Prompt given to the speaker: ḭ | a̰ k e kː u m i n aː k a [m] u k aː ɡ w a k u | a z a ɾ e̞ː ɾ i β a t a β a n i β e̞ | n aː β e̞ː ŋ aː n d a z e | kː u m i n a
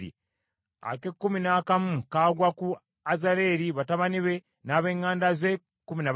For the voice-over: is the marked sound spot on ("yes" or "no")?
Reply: yes